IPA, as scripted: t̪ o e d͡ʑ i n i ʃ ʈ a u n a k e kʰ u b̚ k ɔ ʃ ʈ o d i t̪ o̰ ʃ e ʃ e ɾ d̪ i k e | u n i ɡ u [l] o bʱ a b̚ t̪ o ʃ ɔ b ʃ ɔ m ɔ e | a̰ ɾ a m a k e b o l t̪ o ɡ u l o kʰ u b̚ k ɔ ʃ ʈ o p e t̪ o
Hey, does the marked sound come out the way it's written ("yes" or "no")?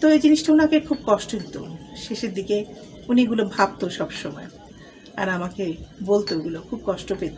yes